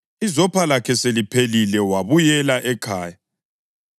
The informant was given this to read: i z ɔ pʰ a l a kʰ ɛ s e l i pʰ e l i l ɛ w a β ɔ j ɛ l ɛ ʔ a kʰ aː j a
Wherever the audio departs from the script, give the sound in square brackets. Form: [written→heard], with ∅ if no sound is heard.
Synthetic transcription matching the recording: i z ɔ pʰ a l a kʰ ɛ s e l i pʰ e l i l ɛ w a β [ɔ→u] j ɛ l [ɛ→a] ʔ [a→ɛ] kʰ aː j a